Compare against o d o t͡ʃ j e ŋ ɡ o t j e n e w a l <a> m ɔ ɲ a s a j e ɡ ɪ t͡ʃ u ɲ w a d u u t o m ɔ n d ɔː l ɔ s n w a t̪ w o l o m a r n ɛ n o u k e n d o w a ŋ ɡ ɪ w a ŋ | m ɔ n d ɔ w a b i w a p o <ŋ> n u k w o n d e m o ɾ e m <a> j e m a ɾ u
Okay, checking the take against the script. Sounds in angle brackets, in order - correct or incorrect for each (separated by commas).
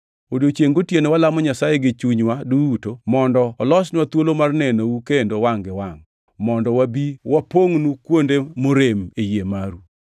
correct, correct, incorrect